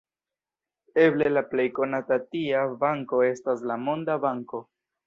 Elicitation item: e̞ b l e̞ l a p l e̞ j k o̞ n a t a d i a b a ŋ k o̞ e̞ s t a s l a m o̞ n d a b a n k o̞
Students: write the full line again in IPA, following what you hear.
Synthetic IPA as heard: e̞ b l e̞ l a p l e̞ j k o̞ n a t a t i a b a ŋ k o̞ e̞ s t a s l a m o̞ n d a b a ŋ k o̞